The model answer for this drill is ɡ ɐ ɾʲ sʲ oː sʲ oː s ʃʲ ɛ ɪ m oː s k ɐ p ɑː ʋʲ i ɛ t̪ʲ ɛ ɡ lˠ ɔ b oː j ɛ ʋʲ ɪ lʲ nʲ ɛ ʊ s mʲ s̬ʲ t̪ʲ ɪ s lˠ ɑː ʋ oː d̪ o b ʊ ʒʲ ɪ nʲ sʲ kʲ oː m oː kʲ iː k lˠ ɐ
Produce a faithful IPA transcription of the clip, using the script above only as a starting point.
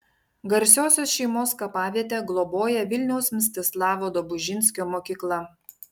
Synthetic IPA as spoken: ɡ ɐ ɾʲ sʲ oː sʲ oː s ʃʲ ɛ ɪ m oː s k ɐ p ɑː ʋʲ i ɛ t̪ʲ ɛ ɡ lˠ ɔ b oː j ɛ ʋʲ ɪ lʲ nʲ ɛ ʊ s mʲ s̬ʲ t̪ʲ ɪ s lˠ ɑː ʋ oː d̪ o b ʊ ʒʲ ɪ nʲ sʲ kʲ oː m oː kʲ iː k lˠ ɐ